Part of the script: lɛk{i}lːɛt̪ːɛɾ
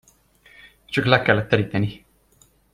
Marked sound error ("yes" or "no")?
yes